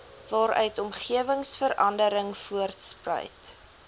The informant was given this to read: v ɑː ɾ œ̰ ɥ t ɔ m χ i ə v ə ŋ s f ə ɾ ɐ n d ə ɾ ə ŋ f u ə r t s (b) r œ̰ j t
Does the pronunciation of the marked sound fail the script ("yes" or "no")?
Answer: yes